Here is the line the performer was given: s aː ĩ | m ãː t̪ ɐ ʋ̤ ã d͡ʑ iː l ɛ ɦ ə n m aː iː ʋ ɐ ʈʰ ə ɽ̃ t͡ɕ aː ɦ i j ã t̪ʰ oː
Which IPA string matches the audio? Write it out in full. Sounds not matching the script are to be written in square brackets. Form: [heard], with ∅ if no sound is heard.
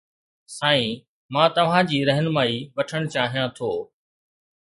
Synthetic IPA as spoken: s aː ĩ | m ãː t̪ ɐ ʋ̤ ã d͡ʑ iː [ɾ] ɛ ɦ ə n m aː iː ʋ ɐ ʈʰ ə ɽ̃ t͡ɕ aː ɦ i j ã t̪ʰ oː